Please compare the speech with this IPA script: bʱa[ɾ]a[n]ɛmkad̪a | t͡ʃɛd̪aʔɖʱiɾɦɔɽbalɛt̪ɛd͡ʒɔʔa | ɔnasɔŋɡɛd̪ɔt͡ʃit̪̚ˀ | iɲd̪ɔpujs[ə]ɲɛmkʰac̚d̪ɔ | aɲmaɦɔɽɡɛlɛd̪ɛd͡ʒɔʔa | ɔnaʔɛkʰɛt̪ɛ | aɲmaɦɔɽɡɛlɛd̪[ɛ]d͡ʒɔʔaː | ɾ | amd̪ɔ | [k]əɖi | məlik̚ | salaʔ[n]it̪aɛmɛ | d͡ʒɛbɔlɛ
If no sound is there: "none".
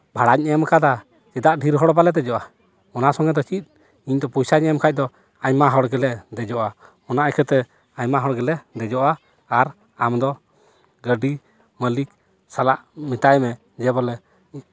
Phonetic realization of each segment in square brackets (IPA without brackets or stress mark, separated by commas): ɽ, ɲ, a, ɛ, ɡ, m